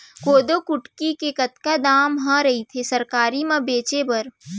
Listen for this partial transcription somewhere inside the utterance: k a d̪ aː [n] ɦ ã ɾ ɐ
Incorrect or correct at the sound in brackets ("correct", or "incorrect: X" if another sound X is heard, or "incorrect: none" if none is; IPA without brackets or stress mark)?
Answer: incorrect: m